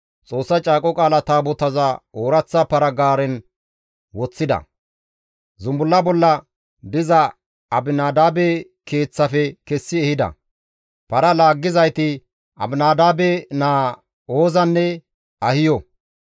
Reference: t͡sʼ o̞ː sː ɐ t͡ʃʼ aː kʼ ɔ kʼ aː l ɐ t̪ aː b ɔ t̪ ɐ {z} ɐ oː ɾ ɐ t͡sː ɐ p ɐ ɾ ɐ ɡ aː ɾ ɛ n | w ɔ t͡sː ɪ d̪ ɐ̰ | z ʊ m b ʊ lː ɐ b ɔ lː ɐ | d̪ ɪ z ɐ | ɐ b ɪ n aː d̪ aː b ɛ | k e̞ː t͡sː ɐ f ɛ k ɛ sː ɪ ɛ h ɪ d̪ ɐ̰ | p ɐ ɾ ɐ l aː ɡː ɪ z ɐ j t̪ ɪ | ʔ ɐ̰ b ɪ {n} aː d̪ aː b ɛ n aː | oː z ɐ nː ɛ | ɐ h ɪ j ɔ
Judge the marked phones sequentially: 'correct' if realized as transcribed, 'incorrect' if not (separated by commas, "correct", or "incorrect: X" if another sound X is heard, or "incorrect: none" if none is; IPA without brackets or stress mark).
correct, correct